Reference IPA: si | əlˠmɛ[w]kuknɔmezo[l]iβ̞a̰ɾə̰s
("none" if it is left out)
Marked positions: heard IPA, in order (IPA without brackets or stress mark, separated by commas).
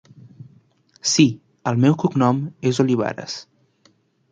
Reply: w, l